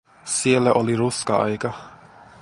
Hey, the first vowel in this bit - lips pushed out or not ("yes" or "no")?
no